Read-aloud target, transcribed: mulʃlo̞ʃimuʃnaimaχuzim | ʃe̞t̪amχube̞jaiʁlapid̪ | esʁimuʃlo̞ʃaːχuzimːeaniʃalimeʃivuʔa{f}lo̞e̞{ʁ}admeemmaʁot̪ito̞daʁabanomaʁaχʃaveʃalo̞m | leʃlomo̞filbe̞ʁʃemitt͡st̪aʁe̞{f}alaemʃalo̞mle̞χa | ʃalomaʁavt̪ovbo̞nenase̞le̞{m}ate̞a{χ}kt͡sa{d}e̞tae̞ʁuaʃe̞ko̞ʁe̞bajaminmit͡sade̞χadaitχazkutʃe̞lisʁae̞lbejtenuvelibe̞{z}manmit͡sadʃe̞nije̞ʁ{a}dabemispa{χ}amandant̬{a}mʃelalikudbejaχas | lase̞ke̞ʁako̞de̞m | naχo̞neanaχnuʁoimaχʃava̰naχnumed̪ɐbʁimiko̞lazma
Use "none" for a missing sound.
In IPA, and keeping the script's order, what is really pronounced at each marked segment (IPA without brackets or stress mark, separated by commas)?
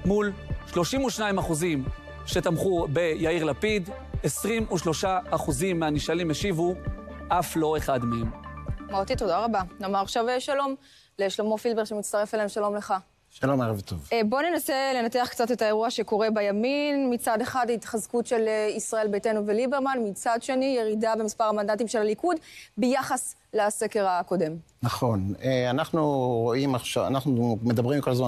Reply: f, χ, f, n, χ, t, ʁ, i, ʁ, i